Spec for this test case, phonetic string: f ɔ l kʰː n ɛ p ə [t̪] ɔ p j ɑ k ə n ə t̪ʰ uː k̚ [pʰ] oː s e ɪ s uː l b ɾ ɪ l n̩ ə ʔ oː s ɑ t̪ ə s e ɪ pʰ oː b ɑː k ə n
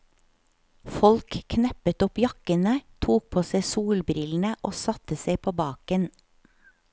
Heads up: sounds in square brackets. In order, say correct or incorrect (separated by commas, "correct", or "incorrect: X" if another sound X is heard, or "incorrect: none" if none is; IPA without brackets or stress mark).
correct, correct